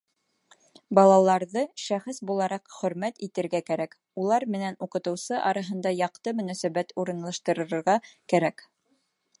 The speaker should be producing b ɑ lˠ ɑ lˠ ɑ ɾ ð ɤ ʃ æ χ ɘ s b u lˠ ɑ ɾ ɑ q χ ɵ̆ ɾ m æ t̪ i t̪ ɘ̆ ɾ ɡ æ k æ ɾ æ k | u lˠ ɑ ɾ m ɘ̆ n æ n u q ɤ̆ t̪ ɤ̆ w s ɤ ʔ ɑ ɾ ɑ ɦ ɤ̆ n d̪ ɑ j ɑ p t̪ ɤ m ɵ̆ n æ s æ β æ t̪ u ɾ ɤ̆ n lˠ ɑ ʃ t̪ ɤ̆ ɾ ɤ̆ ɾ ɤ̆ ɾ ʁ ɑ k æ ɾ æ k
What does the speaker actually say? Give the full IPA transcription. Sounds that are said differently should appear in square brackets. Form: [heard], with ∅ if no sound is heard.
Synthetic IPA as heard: b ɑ lˠ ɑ lˠ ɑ ɾ ð ɤ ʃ æ χ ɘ s b u lˠ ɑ ɾ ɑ q χ ɵ̆ ɾ m æ t̪ i t̪ ɘ̆ ɾ ɡ æ k æ ɾ æ k | u lˠ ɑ ɾ m ɘ̆ n æ n u q ɤ̆ t̪ ɤ̆ w s ɤ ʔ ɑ ɾ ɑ ɦ ɤ̆ n d̪ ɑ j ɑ [q] t̪ ɤ m ɵ̆ n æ s æ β æ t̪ u ɾ ɤ̆ n lˠ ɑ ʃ t̪ ɤ̆ ɾ ɤ̆ ɾ ɤ̆ ɾ ʁ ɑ k æ ɾ æ k